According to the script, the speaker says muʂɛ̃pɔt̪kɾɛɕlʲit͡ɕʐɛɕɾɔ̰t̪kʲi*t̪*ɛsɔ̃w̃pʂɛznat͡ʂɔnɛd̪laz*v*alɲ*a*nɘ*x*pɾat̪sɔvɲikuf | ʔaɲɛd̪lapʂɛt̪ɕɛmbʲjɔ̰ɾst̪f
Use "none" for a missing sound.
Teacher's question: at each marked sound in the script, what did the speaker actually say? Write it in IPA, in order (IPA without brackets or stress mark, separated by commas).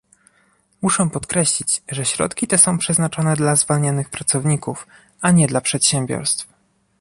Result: t̪, v, a, x